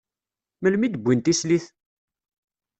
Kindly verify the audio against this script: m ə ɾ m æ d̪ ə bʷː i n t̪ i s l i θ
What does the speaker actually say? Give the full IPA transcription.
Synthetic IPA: m ə l m i d̪ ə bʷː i n t̪ i s l i θ